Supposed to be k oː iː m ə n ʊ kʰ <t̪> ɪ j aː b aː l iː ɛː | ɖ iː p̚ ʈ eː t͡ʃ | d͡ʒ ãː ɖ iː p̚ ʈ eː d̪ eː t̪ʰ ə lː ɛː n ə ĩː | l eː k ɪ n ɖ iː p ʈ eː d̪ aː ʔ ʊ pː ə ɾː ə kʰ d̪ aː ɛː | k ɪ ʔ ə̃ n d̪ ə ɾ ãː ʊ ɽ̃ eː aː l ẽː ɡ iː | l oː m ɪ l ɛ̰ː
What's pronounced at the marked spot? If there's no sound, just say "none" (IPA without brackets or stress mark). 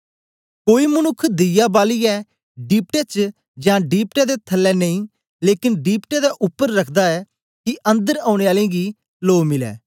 d̪